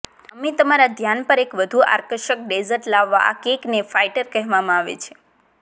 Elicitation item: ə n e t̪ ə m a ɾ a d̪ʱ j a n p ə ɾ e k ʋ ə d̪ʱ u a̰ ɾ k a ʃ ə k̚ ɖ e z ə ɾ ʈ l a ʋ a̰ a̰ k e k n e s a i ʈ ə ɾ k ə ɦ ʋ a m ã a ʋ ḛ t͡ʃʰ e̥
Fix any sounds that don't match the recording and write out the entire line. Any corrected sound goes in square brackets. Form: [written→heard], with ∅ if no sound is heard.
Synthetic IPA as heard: ə [n→m] e t̪ ə m a ɾ a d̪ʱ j a n p ə ɾ e k ʋ ə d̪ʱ u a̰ ɾ k [a→ə] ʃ ə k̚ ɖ e z ə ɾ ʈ l a [ʋ→ʋː] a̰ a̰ k e k n e [s→f] a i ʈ ə ɾ k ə ɦ ʋ a m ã a ʋ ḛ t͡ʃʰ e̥

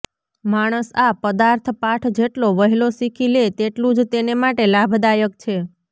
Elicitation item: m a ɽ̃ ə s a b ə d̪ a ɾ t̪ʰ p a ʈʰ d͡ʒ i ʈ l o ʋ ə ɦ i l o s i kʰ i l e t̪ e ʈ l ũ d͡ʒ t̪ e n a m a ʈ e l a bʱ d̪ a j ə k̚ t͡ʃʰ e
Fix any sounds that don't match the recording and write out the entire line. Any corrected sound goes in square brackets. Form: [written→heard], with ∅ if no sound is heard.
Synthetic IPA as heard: m a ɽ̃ ə s a [b→p] ə d̪ a ɾ t̪ʰ p a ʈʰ d͡ʒ [i→e] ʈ l o ʋ ə ɦ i l o s i kʰ i l e t̪ e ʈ l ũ d͡ʒ t̪ e n [a→e] m a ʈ e l a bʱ d̪ a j ə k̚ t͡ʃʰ e

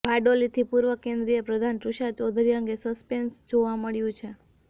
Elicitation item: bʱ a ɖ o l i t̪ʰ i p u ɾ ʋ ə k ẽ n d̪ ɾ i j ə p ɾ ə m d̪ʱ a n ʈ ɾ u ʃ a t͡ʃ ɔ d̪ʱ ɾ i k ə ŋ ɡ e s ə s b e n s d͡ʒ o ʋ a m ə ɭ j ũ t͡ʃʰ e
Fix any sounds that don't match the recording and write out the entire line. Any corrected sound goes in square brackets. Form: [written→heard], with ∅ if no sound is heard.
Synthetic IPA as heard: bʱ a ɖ o l i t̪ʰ i p u ɾ ʋ ə k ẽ n d̪ ɾ i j ə p ɾ ə [m→∅] d̪ʱ a n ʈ ɾ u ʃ a t͡ʃ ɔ d̪ʱ ɾ i [k→∅] ə ŋ ɡ e s ə s [b→p] e n s d͡ʒ o ʋ a m ə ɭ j ũ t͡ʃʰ e

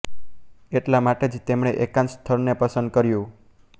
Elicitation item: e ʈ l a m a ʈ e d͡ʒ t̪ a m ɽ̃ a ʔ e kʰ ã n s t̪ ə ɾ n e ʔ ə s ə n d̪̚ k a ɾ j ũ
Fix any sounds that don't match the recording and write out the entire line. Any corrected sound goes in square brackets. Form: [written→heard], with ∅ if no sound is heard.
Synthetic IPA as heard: e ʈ l a m a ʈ e d͡ʒ t̪ [a→e] m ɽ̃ [a→e] ʔ e [kʰ→k] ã n s [t̪→t̪ʰ] ə ɾ n e [ʔ→p] ə s ə n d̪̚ k [a→ə] ɾ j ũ

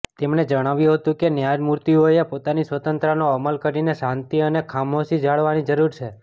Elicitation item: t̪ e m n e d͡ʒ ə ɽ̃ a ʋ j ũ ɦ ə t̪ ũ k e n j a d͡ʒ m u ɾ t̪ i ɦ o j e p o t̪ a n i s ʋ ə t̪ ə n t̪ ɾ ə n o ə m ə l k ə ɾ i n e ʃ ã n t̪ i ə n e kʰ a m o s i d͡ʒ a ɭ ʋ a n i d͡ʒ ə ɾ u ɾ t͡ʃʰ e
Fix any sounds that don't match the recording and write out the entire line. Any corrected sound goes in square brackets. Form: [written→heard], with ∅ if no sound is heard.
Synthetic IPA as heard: t̪ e m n e d͡ʒ ə ɽ̃ a ʋ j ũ ɦ ə t̪ ũ k e n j a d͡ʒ m u ɾ t̪ i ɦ o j e p o t̪ a n i s ʋ ə t̪ ə n t̪ ɾ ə n o ə m ə l k ə ɾ i n e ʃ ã n t̪ i ə n e kʰ a m o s i d͡ʒ a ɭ ʋ a n i d͡ʒ ə ɾ u ɾ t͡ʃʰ e

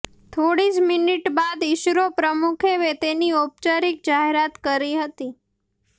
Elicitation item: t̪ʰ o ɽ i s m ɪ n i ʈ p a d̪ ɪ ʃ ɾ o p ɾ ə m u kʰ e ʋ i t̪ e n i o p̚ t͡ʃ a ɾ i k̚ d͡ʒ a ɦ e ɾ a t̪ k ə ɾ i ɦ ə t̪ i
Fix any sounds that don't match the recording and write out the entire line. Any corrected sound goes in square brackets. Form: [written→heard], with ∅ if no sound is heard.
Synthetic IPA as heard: t̪ʰ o ɽ i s m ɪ n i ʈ [p→b] a d̪ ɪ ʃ ɾ o p ɾ ə m u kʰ e ʋ [i→e] t̪ e n i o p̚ t͡ʃ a ɾ i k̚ d͡ʒ a ɦ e ɾ a t̪ k ə ɾ i ɦ ə t̪ i

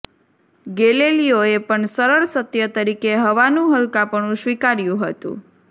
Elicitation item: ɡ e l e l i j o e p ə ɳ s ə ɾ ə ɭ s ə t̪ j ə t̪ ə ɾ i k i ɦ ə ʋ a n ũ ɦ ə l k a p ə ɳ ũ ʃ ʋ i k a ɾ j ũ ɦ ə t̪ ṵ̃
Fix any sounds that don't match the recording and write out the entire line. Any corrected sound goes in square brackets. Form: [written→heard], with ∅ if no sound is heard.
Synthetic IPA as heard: ɡ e l e l i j o e p ə ɳ s ə ɾ ə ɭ s ə t̪ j ə t̪ ə ɾ i k [i→e] ɦ ə ʋ a n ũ ɦ ə l k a p ə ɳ ũ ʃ ʋ i k a ɾ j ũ ɦ ə t̪ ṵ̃

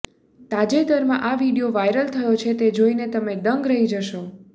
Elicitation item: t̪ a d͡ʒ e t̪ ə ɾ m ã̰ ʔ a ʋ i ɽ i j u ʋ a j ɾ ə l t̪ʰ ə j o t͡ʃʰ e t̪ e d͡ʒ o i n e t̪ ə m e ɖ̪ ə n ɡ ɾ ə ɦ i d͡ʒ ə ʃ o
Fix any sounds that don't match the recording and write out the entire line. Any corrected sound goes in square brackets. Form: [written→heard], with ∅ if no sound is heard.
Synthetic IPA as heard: t̪ a d͡ʒ e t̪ ə ɾ m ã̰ ʔ a ʋ i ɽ i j [u→o] ʋ a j ɾ ə l t̪ʰ ə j o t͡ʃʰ e t̪ e d͡ʒ o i n e t̪ ə m e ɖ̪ ə [n→ŋ] ɡ ɾ ə ɦ i d͡ʒ ə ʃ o

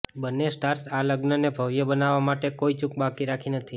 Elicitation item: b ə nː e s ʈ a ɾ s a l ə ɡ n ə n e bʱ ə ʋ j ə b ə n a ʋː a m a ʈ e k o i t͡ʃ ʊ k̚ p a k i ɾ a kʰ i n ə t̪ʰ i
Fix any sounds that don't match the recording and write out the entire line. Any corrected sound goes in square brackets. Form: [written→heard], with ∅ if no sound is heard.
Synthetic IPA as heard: b ə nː e s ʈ a ɾ s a l ə ɡ n ə n e bʱ ə ʋ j ə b ə n a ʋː a m a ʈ e k o i t͡ʃ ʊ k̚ [p→b] a k i ɾ a kʰ i n ə t̪ʰ i

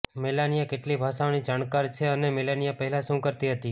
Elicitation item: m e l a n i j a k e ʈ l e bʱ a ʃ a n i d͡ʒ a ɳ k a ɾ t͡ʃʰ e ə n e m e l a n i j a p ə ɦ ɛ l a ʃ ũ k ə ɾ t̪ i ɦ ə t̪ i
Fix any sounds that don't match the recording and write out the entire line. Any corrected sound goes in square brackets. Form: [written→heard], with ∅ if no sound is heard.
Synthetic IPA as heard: m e l a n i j a k e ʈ l [e→i] bʱ a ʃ a n i d͡ʒ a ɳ k a ɾ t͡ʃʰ e ə n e m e l a n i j a p ə ɦ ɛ l a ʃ ũ k ə ɾ t̪ i ɦ ə t̪ i

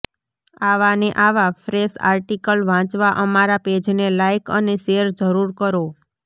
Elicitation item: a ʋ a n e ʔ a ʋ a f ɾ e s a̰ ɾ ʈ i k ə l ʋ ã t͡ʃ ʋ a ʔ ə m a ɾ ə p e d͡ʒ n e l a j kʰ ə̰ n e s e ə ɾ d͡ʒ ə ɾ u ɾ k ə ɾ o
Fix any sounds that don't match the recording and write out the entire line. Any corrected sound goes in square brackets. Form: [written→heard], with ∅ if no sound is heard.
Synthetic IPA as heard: a ʋ a n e ʔ a ʋ a f ɾ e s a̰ ɾ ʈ i k ə l ʋ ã t͡ʃ ʋ a ʔ ə m a ɾ [ə→a] p e d͡ʒ n e l a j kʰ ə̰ n e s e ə ɾ d͡ʒ ə ɾ u ɾ k ə ɾ o

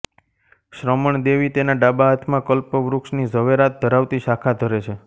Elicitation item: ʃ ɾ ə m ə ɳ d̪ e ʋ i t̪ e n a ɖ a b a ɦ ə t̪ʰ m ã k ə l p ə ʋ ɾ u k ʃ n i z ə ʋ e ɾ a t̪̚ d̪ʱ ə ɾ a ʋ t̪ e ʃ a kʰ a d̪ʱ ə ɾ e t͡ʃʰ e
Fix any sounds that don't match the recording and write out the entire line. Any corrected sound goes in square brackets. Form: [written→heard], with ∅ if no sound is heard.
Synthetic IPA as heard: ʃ ɾ ə m ə ɳ d̪ e ʋ i t̪ e n a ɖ a b a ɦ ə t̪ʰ m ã k ə l p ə ʋ ɾ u k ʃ n i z ə ʋ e ɾ a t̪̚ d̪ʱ ə ɾ a ʋ t̪ [e→i] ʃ a kʰ a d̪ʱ ə ɾ e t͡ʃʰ e

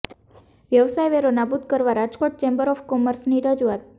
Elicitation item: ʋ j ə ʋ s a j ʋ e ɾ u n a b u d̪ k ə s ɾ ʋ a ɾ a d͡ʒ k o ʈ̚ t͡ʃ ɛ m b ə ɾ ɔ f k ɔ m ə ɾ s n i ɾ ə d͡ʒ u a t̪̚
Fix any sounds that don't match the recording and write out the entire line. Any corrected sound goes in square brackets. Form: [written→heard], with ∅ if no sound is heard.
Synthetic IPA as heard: ʋ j ə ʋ s a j ʋ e ɾ [u→o] n a b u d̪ k ə [s→∅] ɾ ʋ a ɾ a d͡ʒ k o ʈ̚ t͡ʃ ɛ m b ə ɾ ɔ f k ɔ m ə ɾ s n i ɾ ə d͡ʒ u a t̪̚

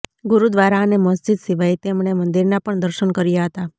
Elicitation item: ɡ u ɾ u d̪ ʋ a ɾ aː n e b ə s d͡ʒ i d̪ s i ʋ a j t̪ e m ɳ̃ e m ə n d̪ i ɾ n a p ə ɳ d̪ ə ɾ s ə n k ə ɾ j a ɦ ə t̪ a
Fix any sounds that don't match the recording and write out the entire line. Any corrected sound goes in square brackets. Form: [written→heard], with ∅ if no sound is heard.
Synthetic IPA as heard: ɡ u ɾ u d̪ ʋ a ɾ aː n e [b→m] ə s d͡ʒ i d̪ s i ʋ a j t̪ e m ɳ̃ e m ə n d̪ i ɾ n a p ə ɳ d̪ ə ɾ [s→ʃ] ə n k ə ɾ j a ɦ ə t̪ a

